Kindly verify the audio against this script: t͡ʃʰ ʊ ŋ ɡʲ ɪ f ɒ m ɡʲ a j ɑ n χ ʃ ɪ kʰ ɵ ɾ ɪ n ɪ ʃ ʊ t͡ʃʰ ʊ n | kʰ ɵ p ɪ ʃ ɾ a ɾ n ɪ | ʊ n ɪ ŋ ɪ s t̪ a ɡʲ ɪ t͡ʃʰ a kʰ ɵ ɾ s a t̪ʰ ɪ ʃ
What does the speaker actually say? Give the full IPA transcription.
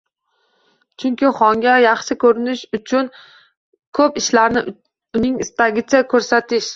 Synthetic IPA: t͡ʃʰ ʊ ŋ kʲ ɪ χ ɒ ŋ ɡʲ a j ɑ χ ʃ ɪ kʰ ɵ ɾ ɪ n ɪ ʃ ʊ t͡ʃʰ ʊ n | kʰ ɵ p ɪ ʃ l a ɾ n ɪ | ʊ n ɪ ŋ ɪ s t̪ a ɡʲ ɪ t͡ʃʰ a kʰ ɵ ɾ s a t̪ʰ ɪ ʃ